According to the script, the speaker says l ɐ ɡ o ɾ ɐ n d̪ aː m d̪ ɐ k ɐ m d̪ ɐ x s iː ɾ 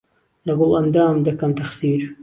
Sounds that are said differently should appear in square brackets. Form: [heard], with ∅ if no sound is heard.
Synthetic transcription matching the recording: l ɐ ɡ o [l] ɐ n d̪ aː m d̪ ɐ k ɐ m [t̪] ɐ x s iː ɾ